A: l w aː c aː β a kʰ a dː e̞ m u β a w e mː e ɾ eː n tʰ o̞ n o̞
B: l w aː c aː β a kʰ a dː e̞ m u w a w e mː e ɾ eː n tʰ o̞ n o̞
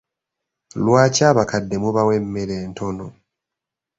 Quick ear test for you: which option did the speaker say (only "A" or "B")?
A